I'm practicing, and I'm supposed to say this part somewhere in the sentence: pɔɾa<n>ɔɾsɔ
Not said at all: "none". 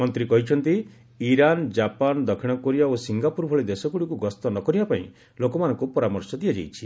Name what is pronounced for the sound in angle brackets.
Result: m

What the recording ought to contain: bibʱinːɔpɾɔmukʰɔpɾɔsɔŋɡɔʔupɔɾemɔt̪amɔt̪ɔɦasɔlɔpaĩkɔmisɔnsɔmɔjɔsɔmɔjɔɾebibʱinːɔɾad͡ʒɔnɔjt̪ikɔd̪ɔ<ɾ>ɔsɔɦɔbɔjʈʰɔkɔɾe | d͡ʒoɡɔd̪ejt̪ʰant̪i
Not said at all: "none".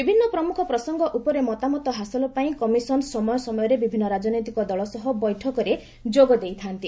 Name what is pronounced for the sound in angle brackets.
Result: ɭ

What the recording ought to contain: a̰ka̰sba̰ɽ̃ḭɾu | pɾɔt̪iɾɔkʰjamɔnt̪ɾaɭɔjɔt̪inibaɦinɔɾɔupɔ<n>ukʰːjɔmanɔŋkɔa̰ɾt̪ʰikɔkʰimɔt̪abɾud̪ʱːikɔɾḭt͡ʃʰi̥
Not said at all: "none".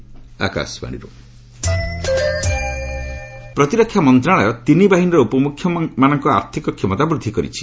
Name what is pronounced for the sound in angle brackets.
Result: m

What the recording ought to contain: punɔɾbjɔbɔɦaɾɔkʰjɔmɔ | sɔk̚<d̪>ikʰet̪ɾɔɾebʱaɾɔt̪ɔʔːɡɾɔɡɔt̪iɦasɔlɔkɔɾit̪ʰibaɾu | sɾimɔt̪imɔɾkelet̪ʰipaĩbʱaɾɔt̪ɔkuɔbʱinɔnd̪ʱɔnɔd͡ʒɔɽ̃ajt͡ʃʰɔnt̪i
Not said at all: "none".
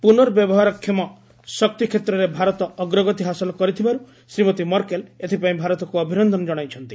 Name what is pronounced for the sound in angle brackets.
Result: t̪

